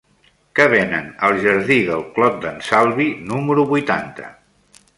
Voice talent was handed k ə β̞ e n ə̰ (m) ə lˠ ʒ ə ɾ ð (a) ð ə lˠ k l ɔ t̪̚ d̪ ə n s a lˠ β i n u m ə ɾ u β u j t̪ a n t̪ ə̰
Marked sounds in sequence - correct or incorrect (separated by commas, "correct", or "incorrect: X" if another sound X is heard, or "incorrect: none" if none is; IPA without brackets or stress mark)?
incorrect: n, incorrect: i